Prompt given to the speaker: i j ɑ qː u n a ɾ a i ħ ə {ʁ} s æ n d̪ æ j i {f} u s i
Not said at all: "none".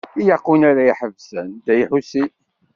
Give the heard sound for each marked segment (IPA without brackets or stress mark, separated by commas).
v, ħ